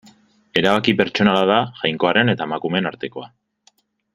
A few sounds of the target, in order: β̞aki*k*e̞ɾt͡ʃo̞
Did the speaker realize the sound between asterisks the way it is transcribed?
no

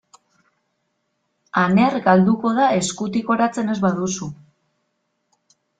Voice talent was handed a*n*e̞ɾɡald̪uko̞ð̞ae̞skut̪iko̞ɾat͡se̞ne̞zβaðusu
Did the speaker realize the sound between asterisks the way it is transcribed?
yes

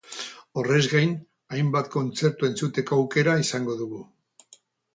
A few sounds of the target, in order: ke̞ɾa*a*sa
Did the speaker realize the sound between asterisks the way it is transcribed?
no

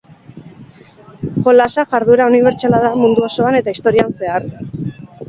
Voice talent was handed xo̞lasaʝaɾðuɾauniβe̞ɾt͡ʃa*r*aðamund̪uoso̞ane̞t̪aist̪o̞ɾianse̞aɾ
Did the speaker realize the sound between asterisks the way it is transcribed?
no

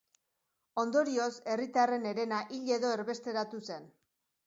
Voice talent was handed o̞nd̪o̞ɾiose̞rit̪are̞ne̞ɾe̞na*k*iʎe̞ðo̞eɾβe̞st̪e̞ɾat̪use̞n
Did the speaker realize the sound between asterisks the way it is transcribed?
no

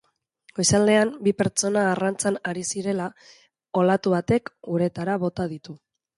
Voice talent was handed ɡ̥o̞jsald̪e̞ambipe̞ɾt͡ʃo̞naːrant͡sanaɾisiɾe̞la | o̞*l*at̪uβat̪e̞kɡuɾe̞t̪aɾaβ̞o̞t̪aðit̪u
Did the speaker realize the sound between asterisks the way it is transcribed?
yes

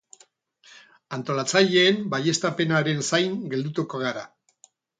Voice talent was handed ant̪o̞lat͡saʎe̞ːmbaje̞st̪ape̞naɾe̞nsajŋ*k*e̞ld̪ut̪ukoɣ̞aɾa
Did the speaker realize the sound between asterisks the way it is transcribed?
no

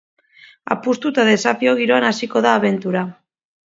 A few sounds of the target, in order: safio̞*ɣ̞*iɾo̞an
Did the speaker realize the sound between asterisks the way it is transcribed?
yes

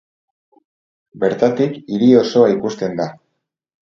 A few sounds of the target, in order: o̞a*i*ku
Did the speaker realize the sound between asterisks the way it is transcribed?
yes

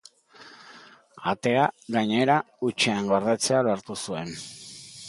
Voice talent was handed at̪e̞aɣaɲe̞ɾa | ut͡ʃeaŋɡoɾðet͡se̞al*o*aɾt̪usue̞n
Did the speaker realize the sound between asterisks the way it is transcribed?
yes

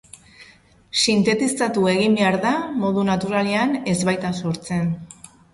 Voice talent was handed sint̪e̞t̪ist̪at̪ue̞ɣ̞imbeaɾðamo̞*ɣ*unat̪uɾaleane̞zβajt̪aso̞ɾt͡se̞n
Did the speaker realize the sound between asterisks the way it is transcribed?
no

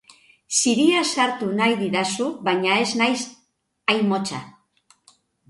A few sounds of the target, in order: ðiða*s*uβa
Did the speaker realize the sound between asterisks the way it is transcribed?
yes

